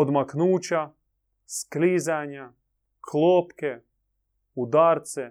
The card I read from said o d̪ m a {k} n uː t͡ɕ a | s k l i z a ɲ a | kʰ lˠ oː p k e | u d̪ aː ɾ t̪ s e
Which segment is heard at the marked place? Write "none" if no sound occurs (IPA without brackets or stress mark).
k